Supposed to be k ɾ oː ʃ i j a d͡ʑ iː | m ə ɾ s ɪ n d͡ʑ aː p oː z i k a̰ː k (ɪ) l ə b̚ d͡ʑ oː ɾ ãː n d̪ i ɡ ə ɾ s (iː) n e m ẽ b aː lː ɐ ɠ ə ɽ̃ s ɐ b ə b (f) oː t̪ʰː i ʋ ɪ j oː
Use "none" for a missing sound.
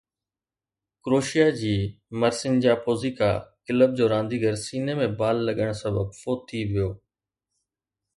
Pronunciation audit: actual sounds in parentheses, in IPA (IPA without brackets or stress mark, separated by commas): ɪ, iː, f